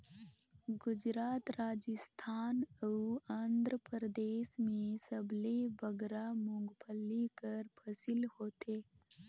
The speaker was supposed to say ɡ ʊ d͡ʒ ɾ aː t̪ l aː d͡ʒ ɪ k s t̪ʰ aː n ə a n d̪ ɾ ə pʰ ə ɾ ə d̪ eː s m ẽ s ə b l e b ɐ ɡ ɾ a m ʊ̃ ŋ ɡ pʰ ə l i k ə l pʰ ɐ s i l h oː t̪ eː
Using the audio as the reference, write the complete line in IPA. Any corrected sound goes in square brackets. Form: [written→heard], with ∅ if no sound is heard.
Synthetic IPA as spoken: ɡ ʊ d͡ʒ ɾ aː t̪ [l→ɾ] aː d͡ʒ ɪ [k→∅] s t̪ʰ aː n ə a n d̪ ɾ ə [pʰ→p] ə ɾ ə d̪ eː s m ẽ s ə b l e b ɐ ɡ ɾ a m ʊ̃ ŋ ɡ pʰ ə l i k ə [l→ɾ] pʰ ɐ s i l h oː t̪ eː